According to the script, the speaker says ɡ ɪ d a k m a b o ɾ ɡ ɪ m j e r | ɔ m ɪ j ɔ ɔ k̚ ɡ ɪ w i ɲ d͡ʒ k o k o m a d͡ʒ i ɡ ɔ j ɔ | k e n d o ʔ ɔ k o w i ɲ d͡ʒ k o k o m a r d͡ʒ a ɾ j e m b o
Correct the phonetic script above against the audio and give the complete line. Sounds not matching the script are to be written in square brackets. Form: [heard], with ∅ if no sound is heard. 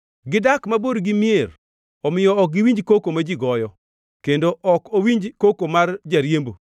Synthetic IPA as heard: ɡ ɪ d a k m a b o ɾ ɡ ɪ m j e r | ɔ m ɪ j ɔ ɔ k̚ ɡ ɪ w i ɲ d͡ʒ k o k o m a d͡ʒ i ɡ ɔ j ɔ | k e n d o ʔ ɔ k o w i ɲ d͡ʒ k o k o m a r d͡ʒ a ɾ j e m b o